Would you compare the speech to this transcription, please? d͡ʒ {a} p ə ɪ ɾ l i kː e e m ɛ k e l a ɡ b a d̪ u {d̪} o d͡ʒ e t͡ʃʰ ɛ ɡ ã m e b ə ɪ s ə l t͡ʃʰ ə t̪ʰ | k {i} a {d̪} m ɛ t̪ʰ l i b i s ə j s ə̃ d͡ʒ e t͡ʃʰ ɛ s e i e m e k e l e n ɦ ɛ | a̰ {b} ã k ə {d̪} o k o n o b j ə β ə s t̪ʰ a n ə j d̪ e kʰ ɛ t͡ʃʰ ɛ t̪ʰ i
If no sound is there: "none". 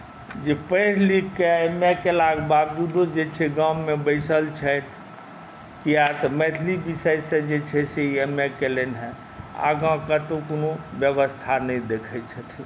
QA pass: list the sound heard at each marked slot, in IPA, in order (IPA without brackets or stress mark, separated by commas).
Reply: e, d̪, i, t̪, ɡ, t̪